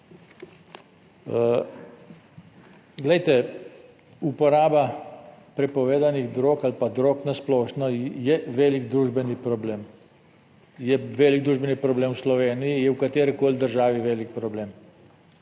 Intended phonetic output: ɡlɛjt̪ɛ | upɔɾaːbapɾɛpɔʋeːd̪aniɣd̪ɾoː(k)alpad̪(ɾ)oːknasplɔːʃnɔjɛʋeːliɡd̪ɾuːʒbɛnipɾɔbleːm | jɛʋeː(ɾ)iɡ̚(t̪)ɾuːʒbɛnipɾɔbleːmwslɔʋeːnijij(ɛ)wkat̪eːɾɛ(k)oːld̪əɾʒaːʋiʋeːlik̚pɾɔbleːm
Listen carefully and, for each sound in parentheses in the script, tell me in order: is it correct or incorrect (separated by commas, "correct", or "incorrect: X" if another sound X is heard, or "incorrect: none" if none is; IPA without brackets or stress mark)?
correct, correct, incorrect: l, incorrect: d̪, correct, correct